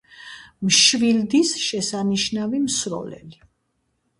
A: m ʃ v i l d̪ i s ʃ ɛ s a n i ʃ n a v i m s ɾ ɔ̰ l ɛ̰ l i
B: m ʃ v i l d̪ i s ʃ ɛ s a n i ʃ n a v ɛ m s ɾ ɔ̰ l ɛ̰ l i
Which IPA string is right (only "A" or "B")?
A